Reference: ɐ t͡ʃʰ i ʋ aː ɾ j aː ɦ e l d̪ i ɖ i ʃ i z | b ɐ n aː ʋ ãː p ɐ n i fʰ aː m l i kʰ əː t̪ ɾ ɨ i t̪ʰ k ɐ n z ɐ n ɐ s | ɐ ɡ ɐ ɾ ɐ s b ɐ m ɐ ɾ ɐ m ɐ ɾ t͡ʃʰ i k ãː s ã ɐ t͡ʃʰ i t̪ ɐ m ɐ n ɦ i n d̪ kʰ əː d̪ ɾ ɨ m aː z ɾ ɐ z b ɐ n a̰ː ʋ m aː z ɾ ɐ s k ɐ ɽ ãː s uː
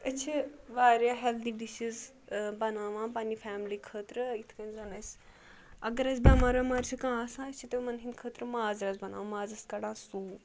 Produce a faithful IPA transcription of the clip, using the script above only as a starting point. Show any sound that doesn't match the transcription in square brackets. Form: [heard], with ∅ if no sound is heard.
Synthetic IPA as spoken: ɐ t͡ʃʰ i ʋ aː ɾ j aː ɦ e l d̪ i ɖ i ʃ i z | b ɐ n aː ʋ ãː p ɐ n i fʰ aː m l i kʰ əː t̪ ɾ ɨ i t̪ʰ k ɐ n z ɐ n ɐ s | ɐ ɡ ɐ ɾ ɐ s b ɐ m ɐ ɾ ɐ m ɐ ɾ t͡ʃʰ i k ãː s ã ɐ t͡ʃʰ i t̪ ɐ m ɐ n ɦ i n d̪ kʰ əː [t̪] ɾ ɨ m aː z ɾ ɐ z b ɐ n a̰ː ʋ m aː z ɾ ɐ s k ɐ ɽ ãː s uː